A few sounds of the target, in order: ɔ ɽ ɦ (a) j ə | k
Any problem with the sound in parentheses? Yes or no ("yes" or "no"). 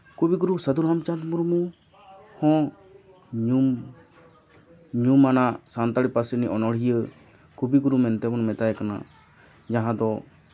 yes